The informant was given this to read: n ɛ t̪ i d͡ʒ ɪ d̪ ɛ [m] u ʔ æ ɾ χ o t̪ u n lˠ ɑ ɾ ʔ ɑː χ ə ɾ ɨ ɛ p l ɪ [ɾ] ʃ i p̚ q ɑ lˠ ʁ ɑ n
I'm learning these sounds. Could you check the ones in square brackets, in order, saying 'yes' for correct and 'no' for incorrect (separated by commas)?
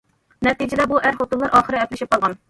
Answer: no, no